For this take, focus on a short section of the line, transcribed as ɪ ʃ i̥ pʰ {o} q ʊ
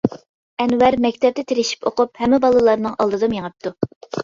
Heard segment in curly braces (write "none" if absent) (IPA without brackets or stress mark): o